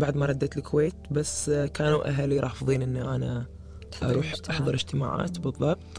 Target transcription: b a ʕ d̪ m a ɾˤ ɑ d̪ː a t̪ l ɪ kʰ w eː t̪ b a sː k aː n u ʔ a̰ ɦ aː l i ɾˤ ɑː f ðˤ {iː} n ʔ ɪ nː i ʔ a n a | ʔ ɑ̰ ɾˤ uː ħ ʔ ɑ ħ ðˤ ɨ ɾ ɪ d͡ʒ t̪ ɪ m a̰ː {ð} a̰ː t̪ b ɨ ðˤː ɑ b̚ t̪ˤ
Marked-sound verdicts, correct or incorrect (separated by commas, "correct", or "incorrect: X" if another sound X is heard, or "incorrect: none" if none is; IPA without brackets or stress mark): correct, incorrect: ʕ